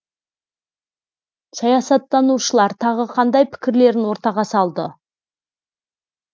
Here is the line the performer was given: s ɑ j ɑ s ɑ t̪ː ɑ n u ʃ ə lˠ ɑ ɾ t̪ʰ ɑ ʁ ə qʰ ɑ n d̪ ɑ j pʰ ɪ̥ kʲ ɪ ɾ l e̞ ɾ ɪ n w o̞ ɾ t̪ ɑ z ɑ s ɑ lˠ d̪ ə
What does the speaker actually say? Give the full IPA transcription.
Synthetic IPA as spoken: s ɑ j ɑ s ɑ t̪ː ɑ n u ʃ ə lˠ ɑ ɾ t̪ʰ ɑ ʁ ə qʰ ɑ n d̪ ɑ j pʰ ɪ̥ kʲ ɪ ɾ l e̞ ɾ ɪ n w o̞ ɾ t̪ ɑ ʁ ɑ s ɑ lˠ d̪ ə

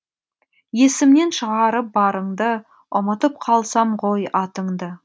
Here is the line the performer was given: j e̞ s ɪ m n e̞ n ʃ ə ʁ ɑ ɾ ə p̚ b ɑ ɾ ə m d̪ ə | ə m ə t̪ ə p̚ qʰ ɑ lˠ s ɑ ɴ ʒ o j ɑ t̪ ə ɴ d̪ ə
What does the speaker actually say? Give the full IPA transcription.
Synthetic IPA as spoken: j e̞ s ɪ m n e̞ n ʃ ə ʁ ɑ ɾ ə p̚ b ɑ ɾ ə ɴ d̪ ə | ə m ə t̪ ə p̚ qʰ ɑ lˠ s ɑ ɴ ʁ o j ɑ t̪ ə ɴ d̪ ə

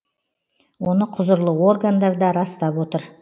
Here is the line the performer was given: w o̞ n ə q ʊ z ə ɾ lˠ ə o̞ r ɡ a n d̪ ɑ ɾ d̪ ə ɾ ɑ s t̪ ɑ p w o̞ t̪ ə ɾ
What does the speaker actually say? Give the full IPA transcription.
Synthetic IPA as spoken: w o̞ n ə qʰ ʊ z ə ɾ lˠ ə o̞ r ɡ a n d̪ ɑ ɾ d̪ ɑ ɾ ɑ s t̪ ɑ p w o̞ t̪ ə ɾ

